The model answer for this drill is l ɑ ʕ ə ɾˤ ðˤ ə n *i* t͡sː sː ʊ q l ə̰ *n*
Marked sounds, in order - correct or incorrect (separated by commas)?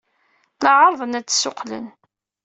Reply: incorrect, correct